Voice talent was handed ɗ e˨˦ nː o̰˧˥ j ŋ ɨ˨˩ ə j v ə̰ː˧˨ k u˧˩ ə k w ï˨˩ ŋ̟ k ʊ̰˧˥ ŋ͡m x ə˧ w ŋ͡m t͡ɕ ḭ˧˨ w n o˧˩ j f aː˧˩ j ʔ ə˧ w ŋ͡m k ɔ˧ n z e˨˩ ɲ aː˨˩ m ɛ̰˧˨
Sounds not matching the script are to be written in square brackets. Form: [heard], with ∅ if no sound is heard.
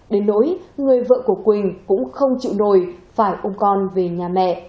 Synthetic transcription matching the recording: ɗ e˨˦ nː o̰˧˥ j ŋ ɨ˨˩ ə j v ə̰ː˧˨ k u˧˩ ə k w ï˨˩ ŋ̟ k ʊ̰˧˥ ŋ͡m x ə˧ w ŋ͡m t͡ɕ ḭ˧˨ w n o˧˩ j f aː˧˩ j ʔ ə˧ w ŋ͡m k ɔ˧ n [v] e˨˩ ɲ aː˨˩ m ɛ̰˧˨